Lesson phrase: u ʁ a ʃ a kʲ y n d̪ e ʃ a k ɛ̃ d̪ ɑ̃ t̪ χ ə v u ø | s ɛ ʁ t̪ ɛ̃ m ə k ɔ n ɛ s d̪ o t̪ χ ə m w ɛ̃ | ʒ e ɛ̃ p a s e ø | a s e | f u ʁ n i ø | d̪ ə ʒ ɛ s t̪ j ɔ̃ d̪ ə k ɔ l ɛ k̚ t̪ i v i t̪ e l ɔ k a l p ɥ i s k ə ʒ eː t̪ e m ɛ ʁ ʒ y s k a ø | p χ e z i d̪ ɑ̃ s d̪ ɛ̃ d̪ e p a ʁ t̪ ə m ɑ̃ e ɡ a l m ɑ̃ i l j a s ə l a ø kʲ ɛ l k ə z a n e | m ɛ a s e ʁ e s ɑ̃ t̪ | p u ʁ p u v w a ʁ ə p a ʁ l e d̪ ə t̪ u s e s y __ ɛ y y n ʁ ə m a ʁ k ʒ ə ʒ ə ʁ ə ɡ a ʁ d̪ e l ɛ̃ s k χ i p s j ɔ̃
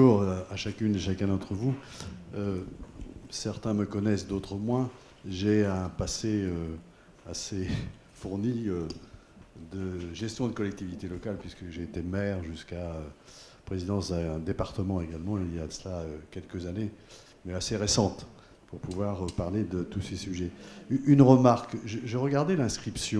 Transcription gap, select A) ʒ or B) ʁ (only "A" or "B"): A